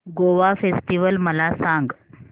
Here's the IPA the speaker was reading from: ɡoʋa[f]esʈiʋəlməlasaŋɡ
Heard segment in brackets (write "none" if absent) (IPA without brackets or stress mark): f